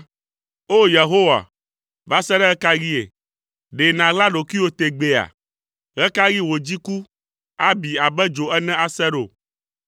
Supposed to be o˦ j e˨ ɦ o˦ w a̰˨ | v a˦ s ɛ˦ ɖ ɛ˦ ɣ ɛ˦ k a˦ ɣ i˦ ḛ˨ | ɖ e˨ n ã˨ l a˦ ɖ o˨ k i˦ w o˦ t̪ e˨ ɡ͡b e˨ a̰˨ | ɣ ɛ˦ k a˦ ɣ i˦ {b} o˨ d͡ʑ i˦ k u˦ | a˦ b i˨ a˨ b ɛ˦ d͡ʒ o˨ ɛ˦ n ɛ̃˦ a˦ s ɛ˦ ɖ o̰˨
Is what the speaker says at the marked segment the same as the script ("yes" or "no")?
no